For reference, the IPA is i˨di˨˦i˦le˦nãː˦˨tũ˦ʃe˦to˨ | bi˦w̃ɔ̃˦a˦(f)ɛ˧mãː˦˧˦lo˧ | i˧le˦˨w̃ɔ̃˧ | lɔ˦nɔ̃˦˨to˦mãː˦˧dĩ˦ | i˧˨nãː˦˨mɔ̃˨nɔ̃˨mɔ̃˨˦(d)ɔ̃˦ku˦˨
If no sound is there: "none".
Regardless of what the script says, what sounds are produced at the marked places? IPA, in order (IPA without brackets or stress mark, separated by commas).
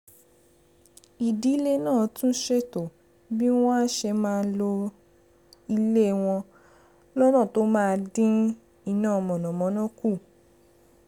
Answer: ʃ, n